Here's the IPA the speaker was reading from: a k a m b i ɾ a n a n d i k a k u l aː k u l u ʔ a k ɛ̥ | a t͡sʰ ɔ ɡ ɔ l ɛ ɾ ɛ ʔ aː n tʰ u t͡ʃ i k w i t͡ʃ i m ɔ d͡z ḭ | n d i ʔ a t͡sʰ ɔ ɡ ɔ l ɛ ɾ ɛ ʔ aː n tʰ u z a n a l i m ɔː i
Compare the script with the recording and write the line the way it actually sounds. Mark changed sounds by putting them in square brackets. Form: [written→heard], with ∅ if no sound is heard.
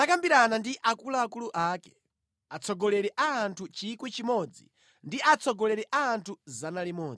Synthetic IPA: a k a m b i ɾ a n a n d i [k→ʔ] a k u l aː k u l u ʔ a k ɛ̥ | a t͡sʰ ɔ ɡ ɔ l ɛ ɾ ɛ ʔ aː n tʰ u t͡ʃ i k w i t͡ʃ i m ɔ d͡z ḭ | n d i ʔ a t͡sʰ ɔ ɡ ɔ l ɛ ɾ ɛ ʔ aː n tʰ u z a n a l i m ɔː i